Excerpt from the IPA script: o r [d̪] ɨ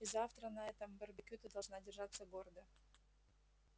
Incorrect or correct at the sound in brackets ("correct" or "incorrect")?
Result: correct